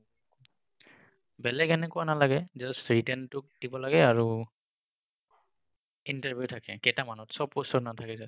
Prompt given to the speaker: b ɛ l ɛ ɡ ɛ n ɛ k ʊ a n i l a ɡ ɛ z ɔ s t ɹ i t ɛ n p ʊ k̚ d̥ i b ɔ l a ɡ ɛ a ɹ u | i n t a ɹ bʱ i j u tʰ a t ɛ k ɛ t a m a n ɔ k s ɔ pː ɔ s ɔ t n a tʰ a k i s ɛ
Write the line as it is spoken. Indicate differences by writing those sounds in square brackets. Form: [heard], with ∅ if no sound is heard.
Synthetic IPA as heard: b ɛ l ɛ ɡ ɛ n ɛ k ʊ a n [a] l a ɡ ɛ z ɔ s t ɹ i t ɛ n [t] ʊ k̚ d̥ i b ɔ l a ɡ ɛ a ɹ u | i n t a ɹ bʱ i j u tʰ a [k] ɛ k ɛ t a m a n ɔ [t] s ɔ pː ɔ s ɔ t n a tʰ a k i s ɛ